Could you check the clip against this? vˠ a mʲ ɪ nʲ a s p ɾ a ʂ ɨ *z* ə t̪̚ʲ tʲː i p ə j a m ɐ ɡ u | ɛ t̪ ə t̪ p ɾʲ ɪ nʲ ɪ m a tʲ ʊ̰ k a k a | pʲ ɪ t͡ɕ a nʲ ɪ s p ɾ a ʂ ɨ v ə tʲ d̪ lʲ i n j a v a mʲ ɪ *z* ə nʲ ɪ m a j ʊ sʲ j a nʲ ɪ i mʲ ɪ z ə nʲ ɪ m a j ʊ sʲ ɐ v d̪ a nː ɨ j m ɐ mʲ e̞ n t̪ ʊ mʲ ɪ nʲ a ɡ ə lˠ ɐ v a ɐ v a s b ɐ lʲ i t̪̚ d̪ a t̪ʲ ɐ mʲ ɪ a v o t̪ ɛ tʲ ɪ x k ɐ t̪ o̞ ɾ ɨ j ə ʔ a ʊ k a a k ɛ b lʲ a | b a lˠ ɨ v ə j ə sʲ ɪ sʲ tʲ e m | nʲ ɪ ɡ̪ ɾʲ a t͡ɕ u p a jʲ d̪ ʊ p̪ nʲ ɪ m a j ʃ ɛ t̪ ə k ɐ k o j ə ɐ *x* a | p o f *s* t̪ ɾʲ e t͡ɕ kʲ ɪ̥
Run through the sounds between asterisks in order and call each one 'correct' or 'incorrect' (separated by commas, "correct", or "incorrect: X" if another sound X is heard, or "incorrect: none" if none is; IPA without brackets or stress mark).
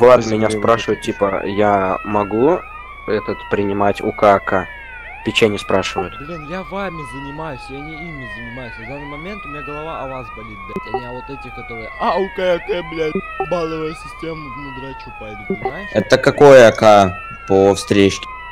incorrect: v, correct, incorrect: k, correct